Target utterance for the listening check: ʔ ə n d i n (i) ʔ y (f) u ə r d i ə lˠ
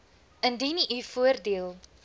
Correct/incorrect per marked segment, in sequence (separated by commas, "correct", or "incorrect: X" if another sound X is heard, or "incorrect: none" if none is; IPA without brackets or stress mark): correct, correct